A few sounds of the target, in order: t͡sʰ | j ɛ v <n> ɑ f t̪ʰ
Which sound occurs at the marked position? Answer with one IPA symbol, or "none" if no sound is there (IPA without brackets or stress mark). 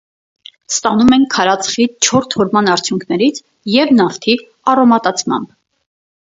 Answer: n